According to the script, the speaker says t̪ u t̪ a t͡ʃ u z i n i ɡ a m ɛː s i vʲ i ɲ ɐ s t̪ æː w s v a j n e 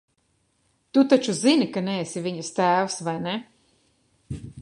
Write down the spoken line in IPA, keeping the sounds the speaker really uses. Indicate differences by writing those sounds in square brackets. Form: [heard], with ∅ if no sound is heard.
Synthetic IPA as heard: t̪ u t̪ a t͡ʃ u z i n i [k] a [n] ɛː s i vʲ i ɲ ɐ s t̪ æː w s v a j n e